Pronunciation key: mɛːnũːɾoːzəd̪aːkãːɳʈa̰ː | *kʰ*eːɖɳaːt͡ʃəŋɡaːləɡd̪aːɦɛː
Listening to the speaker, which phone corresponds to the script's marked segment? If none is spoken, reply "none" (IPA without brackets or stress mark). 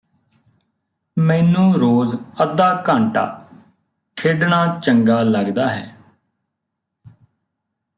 kʰ